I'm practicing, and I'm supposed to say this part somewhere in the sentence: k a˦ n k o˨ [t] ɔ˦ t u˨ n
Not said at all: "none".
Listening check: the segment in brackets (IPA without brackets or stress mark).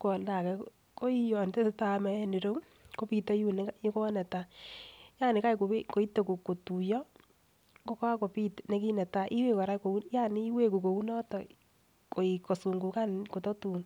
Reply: t